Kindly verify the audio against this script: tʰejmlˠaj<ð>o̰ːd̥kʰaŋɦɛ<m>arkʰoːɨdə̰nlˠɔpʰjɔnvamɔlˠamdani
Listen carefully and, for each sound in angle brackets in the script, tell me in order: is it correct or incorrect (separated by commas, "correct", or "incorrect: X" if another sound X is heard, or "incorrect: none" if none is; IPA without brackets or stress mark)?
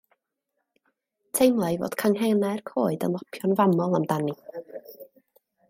incorrect: v, incorrect: n